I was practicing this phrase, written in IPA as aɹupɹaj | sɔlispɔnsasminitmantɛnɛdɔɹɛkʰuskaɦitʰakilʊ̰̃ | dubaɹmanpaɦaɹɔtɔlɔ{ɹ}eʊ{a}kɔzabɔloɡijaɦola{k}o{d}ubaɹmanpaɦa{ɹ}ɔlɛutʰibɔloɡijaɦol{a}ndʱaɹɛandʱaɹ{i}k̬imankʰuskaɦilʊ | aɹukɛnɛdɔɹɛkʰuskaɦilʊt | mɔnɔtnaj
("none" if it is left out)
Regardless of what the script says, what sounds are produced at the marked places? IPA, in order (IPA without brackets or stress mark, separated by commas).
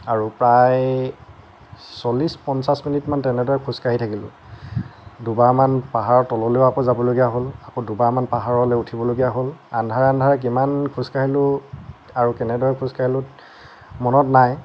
l, a, k, d, ɹ, a, ɛ